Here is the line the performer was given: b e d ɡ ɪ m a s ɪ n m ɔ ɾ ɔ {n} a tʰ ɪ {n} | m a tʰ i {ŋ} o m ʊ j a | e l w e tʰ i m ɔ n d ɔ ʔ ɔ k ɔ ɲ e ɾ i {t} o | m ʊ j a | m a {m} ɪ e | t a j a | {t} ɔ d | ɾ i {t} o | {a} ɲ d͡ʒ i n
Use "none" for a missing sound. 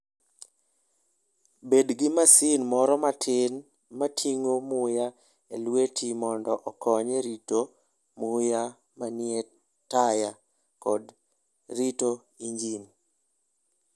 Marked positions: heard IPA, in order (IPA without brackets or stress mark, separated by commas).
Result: m, n, ŋ, t, n, k, t, i